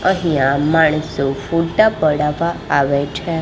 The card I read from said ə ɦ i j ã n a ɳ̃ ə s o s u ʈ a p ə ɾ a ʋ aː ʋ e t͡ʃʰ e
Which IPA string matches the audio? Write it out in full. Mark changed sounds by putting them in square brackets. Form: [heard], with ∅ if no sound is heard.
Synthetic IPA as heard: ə ɦ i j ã [m] a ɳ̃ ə s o [f] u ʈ a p ə [ɽ] a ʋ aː ʋ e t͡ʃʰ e